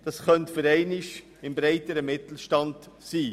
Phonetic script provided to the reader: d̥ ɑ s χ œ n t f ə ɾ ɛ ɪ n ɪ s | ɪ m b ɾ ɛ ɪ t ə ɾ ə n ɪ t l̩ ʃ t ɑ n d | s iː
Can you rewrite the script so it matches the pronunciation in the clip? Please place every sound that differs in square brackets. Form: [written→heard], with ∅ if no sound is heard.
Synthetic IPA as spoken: d̥ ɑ s χ œ n t f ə ɾ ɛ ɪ n ɪ [s→ʃ] | ɪ m b ɾ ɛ ɪ t ə ɾ ə [n→m] ɪ t l̩ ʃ t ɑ n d | s iː